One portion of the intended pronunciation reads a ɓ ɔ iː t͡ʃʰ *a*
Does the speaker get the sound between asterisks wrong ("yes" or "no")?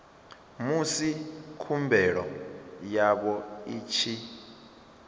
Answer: yes